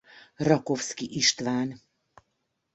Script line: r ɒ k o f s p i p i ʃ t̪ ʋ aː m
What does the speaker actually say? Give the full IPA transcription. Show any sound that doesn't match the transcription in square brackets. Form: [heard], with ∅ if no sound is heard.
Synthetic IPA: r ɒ k o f s [k] i [ʔ] i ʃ t̪ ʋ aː [n]